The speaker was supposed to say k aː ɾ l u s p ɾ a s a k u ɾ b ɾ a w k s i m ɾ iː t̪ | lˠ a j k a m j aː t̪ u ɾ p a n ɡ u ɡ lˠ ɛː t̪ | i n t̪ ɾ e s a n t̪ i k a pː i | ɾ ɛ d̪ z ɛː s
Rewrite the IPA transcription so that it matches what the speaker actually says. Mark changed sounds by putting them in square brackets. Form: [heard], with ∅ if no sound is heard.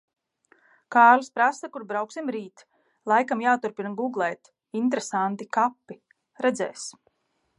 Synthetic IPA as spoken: k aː ɾ l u s p ɾ a s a k u ɾ b ɾ a w k s i m ɾ iː t̪ | lˠ a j k a m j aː t̪ u ɾ p [i] n ɡ u ɡ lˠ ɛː t̪ | i n t̪ ɾ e s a n t̪ i k a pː i | ɾ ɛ d̪ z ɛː s